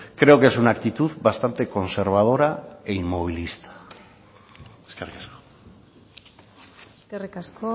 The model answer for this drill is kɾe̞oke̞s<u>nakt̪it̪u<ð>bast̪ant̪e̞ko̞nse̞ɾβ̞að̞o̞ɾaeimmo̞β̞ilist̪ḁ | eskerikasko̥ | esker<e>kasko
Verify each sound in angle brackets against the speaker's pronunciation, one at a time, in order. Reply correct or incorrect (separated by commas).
correct, correct, incorrect